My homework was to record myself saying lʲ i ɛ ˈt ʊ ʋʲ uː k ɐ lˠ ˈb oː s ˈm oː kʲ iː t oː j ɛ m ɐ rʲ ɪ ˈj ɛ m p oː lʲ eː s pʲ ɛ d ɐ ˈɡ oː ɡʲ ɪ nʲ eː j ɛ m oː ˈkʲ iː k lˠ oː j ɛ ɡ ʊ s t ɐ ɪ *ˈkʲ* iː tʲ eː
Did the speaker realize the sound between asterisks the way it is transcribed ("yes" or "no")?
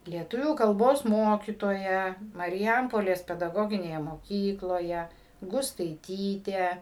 no